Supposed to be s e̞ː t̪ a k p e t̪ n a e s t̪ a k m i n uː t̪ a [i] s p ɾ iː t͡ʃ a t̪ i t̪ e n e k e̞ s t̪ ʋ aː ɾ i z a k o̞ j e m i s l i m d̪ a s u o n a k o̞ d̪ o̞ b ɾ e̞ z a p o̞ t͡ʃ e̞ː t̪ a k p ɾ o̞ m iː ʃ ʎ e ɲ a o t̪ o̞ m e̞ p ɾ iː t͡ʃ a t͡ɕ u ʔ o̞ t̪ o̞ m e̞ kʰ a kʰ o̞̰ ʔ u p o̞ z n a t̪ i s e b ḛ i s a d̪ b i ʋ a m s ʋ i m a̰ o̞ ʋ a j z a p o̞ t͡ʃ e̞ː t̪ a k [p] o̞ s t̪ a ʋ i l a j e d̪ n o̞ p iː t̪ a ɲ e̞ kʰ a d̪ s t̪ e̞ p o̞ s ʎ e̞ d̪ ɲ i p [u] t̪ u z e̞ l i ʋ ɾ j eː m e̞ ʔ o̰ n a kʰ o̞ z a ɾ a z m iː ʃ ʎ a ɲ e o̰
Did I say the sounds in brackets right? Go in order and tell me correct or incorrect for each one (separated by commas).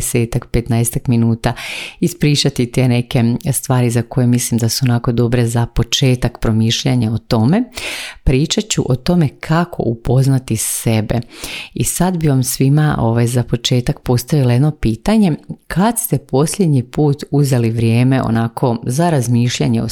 correct, correct, incorrect